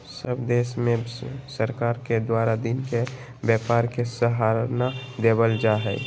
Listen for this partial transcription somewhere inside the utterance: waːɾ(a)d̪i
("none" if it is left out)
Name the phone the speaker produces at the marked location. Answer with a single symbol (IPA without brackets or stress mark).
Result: a